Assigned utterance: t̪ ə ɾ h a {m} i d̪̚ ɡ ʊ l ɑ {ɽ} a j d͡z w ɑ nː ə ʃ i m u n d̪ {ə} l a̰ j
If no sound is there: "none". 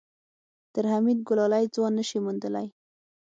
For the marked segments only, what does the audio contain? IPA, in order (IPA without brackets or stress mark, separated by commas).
m, l, ə